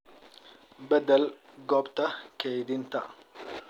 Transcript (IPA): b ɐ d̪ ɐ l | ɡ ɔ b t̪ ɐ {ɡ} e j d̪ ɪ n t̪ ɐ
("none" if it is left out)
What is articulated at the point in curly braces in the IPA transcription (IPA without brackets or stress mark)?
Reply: k